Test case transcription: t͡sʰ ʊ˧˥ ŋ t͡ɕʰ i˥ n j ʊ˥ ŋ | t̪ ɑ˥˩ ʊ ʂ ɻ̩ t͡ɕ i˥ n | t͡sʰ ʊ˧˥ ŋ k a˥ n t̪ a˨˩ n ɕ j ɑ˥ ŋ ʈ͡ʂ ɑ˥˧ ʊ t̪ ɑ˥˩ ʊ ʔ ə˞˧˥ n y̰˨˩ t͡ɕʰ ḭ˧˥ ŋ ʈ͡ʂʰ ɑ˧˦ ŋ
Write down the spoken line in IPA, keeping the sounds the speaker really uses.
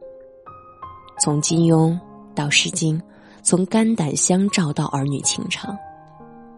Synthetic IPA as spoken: t͡sʰ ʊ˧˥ ŋ t͡ɕ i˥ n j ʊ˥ ŋ | t̪ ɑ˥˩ ʊ ʂ ɻ̩ t͡ɕ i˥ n | t͡sʰ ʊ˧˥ ŋ k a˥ n t̪ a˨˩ n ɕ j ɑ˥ ŋ ʈ͡ʂ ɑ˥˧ ʊ t̪ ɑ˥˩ ʊ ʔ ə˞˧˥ n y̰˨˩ t͡ɕʰ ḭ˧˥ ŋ ʈ͡ʂʰ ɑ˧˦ ŋ